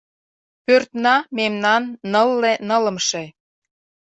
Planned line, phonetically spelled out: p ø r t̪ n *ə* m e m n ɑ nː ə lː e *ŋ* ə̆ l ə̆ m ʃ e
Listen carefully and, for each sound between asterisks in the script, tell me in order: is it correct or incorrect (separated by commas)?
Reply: incorrect, incorrect